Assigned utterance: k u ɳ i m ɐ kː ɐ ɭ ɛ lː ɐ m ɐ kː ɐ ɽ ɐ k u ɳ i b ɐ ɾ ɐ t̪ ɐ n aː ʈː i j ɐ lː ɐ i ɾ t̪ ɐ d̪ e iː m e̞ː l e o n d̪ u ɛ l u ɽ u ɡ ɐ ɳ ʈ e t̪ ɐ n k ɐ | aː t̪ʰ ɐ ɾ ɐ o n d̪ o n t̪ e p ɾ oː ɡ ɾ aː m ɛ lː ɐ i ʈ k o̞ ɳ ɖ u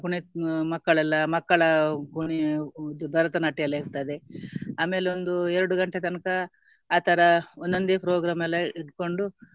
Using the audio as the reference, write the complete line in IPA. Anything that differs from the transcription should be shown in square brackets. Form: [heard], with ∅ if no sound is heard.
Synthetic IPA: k u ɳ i m ɐ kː ɐ ɭ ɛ lː ɐ m ɐ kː ɐ [ɭ] ɐ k u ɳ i b ɐ ɾ ɐ t̪ ɐ n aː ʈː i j ɐ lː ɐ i ɾ t̪ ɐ d̪ e [aː] m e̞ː l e o n d̪ u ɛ [ɾ] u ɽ u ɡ ɐ ɳ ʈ e t̪ ɐ n k ɐ | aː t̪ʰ ɐ ɾ ɐ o n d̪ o n [d̪] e p ɾ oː ɡ ɾ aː m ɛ lː ɐ i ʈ k o̞ ɳ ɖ u